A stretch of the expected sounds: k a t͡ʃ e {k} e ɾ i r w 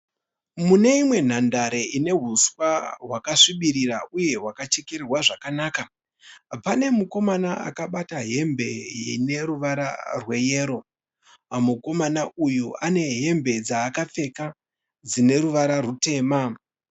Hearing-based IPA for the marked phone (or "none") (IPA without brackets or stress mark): k